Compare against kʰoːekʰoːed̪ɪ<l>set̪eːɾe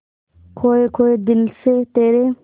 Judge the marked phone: correct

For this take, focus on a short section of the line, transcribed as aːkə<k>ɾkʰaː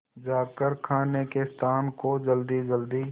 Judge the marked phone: incorrect: none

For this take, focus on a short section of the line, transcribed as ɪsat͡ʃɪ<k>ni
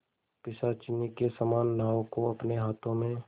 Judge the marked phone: incorrect: none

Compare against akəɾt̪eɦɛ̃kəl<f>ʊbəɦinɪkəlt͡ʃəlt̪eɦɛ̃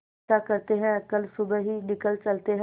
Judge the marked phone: incorrect: s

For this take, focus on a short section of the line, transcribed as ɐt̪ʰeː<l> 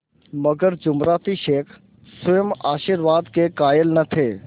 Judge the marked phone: incorrect: none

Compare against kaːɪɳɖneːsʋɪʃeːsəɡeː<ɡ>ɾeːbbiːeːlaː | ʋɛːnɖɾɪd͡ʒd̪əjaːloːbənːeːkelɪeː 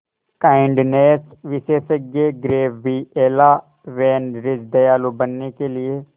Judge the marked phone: correct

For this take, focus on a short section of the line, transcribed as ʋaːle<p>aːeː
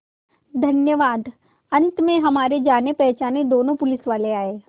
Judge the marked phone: incorrect: none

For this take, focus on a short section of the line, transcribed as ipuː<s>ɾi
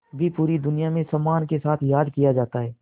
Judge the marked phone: incorrect: none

